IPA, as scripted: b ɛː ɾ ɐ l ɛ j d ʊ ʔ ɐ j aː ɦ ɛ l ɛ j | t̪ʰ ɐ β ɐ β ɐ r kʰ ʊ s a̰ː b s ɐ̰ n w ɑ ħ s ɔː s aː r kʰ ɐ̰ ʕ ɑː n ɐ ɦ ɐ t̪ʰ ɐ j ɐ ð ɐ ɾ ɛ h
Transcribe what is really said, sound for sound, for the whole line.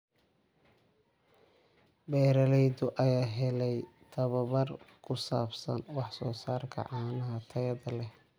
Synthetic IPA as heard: b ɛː ɾ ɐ l ɛ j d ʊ ʔ ɐ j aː ɦ ɛ l ɛ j | t̪ʰ ɐ β ɐ β ɐ r kʰ ʊ s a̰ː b s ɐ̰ n w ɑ ħ s ɔː s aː r kʰ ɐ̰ ʕ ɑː n ɐ ɦ ɐ t̪ʰ ɐ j ɐ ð ɐ l ɛ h